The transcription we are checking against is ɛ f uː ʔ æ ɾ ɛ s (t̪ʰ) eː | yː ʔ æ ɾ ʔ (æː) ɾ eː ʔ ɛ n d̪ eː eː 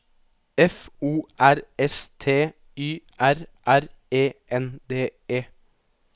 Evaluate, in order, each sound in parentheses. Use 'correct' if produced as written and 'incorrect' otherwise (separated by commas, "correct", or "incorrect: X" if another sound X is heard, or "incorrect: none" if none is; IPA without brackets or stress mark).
correct, incorrect: æ